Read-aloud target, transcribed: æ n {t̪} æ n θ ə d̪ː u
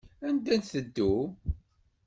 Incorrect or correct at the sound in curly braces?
incorrect: d̪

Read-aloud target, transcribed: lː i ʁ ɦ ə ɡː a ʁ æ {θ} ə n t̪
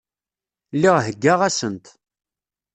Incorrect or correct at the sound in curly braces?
incorrect: s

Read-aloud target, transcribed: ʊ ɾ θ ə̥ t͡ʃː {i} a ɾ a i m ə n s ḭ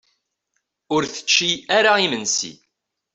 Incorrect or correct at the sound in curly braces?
correct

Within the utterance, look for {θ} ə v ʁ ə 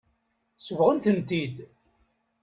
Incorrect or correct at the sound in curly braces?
incorrect: s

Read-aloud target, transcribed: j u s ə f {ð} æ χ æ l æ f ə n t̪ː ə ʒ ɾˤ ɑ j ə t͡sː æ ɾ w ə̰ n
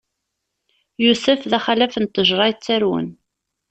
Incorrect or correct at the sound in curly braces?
correct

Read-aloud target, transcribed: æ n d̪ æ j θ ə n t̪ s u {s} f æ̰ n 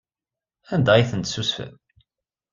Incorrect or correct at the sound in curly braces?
correct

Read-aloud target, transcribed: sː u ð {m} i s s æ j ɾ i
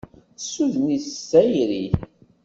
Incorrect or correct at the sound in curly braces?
incorrect: n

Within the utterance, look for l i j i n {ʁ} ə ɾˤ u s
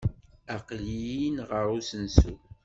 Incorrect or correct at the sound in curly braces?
correct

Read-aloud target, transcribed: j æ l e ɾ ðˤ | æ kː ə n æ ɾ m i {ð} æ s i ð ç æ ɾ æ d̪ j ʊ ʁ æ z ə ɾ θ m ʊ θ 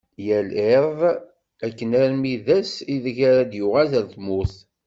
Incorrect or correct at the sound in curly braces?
correct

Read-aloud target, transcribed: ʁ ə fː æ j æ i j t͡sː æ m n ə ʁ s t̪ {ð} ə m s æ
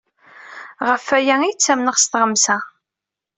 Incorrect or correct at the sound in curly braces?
incorrect: ʁ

